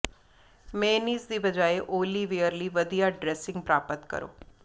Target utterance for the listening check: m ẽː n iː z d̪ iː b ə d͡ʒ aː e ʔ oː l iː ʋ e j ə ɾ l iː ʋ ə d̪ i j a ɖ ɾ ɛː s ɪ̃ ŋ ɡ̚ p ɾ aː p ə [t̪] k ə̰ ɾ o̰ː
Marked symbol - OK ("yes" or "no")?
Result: yes